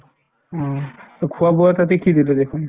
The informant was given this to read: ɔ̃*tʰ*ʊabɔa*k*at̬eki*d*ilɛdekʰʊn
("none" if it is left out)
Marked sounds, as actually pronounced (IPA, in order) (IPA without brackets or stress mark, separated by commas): kʰ, t, d